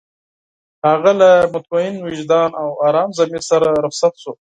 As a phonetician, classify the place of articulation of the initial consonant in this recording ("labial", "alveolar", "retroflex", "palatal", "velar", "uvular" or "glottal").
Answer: glottal